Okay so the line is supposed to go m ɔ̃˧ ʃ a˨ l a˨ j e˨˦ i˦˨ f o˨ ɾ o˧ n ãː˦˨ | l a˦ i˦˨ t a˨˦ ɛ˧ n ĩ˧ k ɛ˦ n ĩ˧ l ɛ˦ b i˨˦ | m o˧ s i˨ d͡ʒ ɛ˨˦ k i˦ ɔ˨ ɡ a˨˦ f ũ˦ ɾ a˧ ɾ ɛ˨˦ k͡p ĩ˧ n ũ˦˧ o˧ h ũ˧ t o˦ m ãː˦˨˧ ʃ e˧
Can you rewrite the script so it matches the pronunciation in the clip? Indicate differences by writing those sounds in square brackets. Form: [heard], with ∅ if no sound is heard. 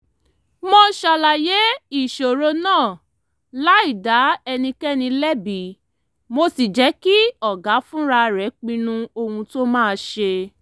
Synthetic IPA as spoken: m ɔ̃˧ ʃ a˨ l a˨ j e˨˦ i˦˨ [ʃ] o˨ ɾ o˧ n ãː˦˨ | l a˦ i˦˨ [d] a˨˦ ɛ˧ n ĩ˧ k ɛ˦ n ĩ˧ l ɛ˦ b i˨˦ | m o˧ s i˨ d͡ʒ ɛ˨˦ k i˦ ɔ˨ ɡ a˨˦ f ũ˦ ɾ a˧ ɾ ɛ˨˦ k͡p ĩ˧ n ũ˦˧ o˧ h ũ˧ t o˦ m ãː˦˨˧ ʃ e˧